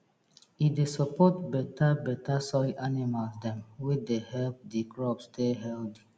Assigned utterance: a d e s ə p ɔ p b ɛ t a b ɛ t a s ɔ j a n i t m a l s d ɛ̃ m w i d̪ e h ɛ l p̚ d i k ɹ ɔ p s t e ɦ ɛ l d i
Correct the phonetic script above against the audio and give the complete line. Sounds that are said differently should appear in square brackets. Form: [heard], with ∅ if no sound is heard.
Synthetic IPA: [i] d e s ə p ɔ [t] b ɛ t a b ɛ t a s ɔ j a n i [∅] m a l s d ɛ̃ m w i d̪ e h ɛ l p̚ d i k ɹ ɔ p s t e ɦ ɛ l d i